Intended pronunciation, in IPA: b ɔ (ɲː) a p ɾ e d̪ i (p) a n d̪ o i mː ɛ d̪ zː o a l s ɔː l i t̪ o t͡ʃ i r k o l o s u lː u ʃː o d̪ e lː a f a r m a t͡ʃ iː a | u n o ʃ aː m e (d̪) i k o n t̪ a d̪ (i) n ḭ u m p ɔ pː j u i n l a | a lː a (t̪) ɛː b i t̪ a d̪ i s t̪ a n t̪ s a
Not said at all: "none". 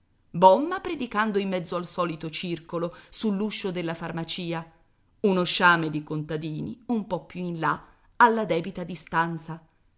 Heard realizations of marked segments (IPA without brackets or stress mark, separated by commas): mː, k, d̪, iː, d̪